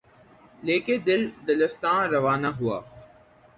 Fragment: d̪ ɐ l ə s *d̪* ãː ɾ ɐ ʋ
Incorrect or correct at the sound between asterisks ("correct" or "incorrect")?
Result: incorrect